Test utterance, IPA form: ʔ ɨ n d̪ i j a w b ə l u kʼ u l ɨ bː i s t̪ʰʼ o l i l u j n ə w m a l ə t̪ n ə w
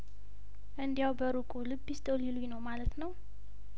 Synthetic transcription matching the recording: ʔ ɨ n d̪ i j a w b ə ɾ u kʼ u l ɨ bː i s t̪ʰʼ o l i l u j n ə w m a l ə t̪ n ə w